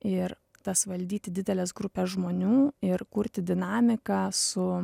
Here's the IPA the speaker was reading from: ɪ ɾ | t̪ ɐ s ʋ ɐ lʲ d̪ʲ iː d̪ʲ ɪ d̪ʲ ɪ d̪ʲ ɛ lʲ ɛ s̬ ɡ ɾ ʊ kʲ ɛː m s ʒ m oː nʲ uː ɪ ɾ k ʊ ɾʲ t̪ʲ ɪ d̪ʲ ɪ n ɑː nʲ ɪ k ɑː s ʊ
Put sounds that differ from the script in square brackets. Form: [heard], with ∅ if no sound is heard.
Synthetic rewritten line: ɪ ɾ | t̪ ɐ s ʋ ɐ lʲ d̪ʲ iː [t̪ʲ] ɪ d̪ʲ ɪ d̪ʲ ɛ lʲ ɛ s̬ ɡ ɾ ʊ [pʲ] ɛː [∅] s ʒ m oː nʲ uː ɪ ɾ k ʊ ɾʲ t̪ʲ ɪ d̪ʲ ɪ n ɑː [mʲ] ɪ k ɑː s ʊ